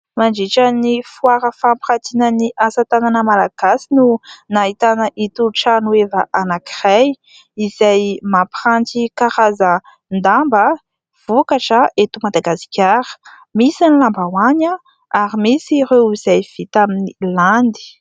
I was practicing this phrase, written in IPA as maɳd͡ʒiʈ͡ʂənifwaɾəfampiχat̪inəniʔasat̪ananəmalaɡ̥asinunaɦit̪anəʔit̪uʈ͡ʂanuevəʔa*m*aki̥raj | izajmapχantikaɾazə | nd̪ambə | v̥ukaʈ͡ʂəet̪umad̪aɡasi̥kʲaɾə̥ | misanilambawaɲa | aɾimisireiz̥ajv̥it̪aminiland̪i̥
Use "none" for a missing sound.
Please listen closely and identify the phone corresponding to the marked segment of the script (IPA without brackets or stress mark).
n